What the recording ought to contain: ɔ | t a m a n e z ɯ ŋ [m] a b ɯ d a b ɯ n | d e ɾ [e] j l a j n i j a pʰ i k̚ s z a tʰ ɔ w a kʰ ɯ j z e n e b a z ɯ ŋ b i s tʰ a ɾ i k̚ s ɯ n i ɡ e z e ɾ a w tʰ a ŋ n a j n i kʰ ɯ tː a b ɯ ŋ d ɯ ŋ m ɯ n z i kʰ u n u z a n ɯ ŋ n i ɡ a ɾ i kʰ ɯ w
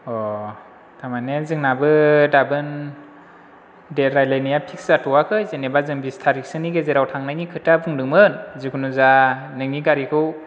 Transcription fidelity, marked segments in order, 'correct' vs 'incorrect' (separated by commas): incorrect, incorrect